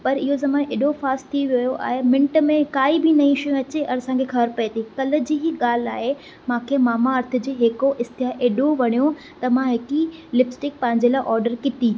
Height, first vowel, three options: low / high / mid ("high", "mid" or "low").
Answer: low